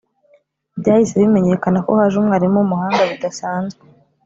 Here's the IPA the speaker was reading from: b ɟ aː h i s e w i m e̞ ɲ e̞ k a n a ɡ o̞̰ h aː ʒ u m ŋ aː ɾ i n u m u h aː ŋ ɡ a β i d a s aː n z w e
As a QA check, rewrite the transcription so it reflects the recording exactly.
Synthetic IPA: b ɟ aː h i s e β i m e̞ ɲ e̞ k a n a k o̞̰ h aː ʒ u m ŋ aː ɾ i m u m u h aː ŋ ɡ a β i d a s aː n z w e